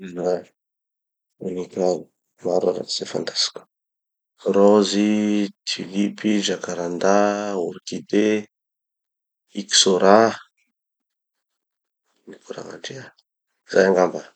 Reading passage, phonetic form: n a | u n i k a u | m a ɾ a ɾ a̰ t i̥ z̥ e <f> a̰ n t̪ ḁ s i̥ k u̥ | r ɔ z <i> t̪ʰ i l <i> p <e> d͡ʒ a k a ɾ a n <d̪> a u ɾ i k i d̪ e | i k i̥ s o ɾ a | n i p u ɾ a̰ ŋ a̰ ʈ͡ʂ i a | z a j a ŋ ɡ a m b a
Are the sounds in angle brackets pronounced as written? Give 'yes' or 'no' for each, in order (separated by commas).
yes, yes, yes, no, yes